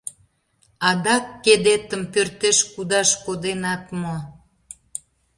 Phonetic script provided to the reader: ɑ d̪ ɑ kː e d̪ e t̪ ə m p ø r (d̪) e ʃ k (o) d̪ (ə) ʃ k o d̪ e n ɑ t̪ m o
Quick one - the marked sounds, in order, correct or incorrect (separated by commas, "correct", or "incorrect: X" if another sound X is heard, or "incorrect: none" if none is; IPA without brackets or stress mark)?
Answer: incorrect: t̪, incorrect: u, incorrect: ɑ